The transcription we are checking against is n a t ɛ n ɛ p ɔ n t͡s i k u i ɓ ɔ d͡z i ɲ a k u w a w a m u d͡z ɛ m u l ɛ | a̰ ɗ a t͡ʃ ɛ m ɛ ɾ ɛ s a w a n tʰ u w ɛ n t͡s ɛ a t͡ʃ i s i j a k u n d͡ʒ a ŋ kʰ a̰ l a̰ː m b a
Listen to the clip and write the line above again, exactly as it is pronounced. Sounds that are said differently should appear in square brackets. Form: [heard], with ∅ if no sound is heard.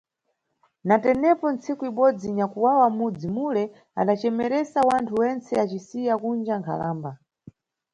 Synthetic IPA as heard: n a t ɛ n ɛ p ɔ n t͡s i k u i ɓ ɔ d͡z i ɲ a k u w a w a m u d͡z [i] m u l ɛ | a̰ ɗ a t͡ʃ ɛ m ɛ ɾ ɛ s a w a n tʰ u w ɛ n t͡s ɛ a t͡ʃ i s i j a k u n d͡ʒ a ŋ kʰ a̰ l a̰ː m b a